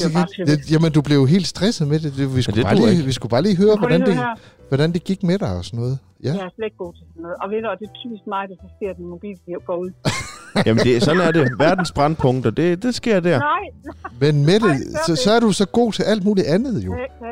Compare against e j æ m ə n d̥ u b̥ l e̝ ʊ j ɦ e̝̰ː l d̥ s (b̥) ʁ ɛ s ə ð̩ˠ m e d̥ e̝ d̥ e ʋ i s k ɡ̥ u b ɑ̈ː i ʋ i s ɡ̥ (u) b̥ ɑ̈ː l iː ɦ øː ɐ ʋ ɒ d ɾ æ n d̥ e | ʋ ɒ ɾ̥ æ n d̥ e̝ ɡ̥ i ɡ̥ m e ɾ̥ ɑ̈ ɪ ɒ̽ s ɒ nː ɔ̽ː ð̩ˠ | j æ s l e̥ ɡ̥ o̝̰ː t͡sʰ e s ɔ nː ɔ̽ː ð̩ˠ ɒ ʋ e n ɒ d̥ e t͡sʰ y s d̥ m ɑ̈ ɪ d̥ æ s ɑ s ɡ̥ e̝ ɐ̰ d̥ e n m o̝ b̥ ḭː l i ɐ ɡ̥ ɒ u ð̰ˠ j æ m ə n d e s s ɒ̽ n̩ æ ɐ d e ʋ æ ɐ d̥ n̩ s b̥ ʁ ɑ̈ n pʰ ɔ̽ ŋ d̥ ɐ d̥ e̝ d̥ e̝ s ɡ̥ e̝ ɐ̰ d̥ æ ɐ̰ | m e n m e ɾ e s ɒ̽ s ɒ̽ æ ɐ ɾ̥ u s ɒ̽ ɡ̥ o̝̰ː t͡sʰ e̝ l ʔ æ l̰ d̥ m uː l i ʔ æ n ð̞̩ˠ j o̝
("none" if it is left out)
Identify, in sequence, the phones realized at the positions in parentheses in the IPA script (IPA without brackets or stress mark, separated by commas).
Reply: d̥, u